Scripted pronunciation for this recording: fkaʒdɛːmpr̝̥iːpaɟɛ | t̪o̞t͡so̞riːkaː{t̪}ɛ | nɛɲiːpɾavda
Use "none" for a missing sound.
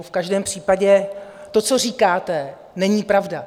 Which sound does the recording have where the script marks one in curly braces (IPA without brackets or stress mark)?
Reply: t̪